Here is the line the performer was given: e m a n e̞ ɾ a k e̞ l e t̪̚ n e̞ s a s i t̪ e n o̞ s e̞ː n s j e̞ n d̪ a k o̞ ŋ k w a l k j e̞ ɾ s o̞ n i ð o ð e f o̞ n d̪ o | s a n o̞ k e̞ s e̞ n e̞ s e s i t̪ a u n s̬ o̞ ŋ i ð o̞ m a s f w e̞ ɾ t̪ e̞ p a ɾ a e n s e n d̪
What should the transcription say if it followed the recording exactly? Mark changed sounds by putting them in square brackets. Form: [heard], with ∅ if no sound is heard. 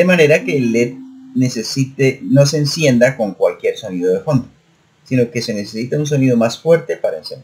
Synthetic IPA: e m a n e̞ ɾ a k e̞ l e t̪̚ n e̞ s [e] s i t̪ e n o̞ s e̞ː n s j e̞ n d̪ a k o̞ ŋ k w a l k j e̞ ɾ s o̞ n i ð o ð e f o̞ n d̪ o | s [i] n o̞ k e̞ s e̞ n e̞ s e s i t̪ a u n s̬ o̞ [n] i ð o̞ m a s f w e̞ ɾ t̪ e̞ p a ɾ a e n s e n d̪